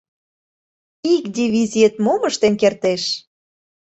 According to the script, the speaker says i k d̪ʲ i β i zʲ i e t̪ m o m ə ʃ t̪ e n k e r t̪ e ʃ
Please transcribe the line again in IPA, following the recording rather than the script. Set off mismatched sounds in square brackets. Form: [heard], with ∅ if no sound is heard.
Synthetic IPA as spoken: i k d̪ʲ i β i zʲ i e t̪ m o m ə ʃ t̪ e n k e r t̪ e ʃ